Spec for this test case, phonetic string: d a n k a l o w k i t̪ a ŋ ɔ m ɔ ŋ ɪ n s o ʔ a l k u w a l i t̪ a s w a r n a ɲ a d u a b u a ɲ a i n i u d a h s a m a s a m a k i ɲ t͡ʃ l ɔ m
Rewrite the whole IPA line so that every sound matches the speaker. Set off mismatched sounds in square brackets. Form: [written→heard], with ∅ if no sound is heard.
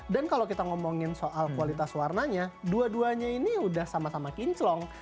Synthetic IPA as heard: d a n k a l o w k i t̪ a ŋ ɔ m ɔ ŋ ɪ n s o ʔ a l k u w a l i t̪ a s w a r n a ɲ a d u a [b→d] u a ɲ a i n i u d a h s a m a s a m a k i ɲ t͡ʃ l ɔ [m→ŋ]